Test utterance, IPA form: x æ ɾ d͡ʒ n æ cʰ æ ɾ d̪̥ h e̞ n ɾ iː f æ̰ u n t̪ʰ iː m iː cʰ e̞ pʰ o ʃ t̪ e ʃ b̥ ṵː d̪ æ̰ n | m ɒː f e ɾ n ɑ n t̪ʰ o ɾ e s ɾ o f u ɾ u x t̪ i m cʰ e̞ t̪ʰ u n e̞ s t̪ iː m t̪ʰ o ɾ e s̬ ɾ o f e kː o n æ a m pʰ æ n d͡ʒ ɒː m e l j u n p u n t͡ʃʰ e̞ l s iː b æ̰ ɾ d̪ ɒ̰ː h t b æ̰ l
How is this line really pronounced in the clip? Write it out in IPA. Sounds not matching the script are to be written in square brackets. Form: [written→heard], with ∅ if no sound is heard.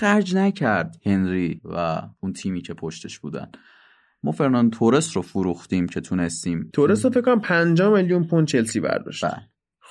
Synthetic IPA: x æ ɾ d͡ʒ n æ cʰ æ ɾ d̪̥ h e̞ n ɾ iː [f→v] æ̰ u n t̪ʰ iː m iː cʰ e̞ pʰ o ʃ t̪ e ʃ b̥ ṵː d̪ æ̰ n | m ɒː f e ɾ n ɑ n t̪ʰ o ɾ e s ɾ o f u ɾ u x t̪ i m cʰ e̞ t̪ʰ u n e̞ s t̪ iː m t̪ʰ o ɾ e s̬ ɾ o f e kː o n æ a m pʰ æ n d͡ʒ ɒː m e l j u n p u n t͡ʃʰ e̞ l s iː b æ̰ ɾ d̪ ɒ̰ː [h→ʃ] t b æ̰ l